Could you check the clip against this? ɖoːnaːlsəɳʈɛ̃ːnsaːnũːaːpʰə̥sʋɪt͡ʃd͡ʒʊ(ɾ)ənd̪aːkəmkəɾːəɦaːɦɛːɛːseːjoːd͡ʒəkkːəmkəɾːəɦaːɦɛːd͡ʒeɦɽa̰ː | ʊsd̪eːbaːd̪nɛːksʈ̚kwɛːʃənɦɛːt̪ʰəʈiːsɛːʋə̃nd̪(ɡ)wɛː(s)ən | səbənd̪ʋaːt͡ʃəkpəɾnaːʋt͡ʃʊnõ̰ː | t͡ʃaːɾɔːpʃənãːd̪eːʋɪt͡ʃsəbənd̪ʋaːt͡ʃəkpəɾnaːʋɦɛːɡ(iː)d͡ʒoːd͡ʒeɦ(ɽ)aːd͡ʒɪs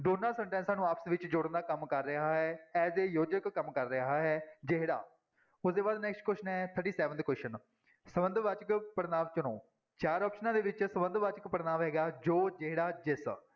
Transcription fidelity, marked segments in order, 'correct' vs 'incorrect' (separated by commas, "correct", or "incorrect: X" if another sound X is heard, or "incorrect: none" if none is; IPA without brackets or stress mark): incorrect: ɽ, incorrect: k, incorrect: ʃ, incorrect: aː, correct